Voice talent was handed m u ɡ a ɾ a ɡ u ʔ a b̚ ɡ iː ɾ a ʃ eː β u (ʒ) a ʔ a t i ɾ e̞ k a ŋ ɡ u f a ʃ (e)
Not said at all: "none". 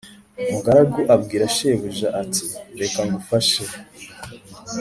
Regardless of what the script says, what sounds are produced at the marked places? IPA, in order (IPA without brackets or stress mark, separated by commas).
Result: ʒ, e